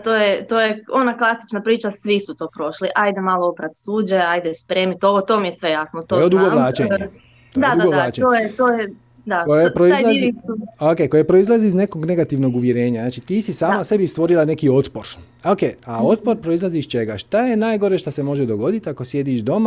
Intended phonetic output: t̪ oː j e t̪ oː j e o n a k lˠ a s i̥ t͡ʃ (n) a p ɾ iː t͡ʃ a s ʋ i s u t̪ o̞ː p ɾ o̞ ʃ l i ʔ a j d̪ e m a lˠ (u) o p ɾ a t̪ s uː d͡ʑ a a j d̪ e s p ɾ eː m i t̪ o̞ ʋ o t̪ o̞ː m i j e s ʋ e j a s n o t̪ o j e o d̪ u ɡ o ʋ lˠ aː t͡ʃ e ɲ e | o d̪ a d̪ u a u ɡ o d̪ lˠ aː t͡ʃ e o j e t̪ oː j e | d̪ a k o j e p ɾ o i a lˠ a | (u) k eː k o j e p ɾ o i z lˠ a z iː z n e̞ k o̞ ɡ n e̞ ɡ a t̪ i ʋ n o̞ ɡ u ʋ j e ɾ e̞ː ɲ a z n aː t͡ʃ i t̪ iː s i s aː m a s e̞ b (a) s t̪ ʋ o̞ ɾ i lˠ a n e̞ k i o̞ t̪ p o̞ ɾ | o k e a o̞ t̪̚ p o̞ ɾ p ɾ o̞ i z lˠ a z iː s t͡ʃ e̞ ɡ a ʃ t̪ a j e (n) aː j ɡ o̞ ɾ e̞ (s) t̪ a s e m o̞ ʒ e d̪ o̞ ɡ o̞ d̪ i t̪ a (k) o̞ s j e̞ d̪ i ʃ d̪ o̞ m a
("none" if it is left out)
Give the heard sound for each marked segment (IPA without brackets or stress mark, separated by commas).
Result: n, o, o, i, n, ʃ, k